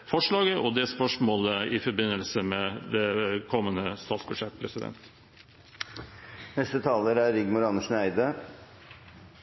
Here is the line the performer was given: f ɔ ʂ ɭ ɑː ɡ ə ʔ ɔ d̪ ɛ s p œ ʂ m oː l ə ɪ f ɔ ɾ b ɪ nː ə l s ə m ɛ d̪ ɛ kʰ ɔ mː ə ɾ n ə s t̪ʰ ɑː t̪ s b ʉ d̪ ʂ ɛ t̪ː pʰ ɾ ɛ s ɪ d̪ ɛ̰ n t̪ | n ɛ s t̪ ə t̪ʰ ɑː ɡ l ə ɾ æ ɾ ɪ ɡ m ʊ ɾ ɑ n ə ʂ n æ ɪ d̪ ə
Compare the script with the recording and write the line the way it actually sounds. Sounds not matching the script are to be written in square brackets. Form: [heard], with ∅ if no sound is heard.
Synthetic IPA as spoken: f ɔ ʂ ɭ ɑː ɡ ə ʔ ɔ d̪ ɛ s p œ ʂ m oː l ə ɪ f ɔ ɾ b ɪ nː ə l s ə m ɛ d̪ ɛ kʰ ɔ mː ə [∅] n ə s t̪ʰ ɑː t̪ s b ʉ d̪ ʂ ɛ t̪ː pʰ ɾ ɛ s ɪ d̪ ɛ̰ n t̪ | n ɛ s t̪ ə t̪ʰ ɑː [∅] l ə ɾ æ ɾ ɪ ɡ m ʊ ɾ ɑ n ə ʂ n æ ɪ d̪ ə

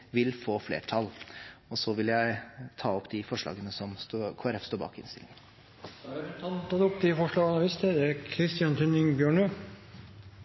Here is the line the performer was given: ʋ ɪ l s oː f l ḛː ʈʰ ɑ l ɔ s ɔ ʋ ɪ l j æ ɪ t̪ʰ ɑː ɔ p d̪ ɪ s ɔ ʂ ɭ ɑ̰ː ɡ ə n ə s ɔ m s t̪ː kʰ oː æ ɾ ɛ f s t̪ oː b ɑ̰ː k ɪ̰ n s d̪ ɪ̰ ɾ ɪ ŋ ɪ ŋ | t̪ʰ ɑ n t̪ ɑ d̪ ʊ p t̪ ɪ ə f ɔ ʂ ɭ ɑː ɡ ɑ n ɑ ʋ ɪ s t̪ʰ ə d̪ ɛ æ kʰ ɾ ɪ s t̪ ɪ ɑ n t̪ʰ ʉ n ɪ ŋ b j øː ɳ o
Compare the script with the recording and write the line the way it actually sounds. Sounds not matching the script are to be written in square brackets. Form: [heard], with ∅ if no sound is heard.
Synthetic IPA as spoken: ʋ ɪ l [f] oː f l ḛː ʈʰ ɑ l ɔ s ɔ ʋ ɪ l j æ ɪ t̪ʰ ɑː ɔ p d̪ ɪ [f] ɔ ʂ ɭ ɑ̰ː ɡ ə n ə s ɔ m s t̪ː kʰ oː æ ɾ ɛ f s t̪ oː b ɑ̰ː k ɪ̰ n s [t̪] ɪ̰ [l] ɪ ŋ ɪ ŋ | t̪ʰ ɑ n t̪ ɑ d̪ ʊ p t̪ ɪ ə f ɔ ʂ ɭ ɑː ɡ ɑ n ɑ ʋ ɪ s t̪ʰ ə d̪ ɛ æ kʰ ɾ ɪ s t̪ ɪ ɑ n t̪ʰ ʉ n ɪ ŋ b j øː ɳ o

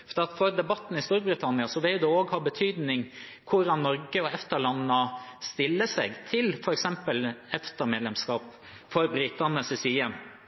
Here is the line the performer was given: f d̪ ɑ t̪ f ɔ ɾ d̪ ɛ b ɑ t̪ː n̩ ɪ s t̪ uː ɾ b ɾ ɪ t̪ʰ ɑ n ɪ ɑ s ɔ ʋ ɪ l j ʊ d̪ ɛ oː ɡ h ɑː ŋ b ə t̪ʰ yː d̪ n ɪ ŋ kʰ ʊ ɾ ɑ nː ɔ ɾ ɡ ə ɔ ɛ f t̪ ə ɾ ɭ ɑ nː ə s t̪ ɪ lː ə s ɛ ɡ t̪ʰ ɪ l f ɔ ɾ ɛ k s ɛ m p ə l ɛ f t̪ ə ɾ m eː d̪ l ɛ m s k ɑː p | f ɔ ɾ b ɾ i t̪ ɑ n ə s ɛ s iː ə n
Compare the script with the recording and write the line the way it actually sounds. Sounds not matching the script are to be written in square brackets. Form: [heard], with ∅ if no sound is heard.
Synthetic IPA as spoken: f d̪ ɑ t̪ f ɔ ɾ d̪ ɛ b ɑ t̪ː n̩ ɪ s t̪ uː ɾ b ɾ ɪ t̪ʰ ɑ n ɪ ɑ s ɔ ʋ ɪ l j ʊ d̪ ɛ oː ɡ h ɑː [∅] b ə t̪ʰ yː d̪ n ɪ ŋ kʰ ʊ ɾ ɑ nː ɔ ɾ ɡ ə ɔ ɛ f t̪ ə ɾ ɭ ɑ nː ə s t̪ ɪ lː ə s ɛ ɡ t̪ʰ ɪ l f ɔ ɾ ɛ k s ɛ m p ə l ɛ f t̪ ə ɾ m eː d̪ l ɛ m s k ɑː p | f ɔ ɾ b ɾ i t̪ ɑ n ə s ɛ s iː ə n

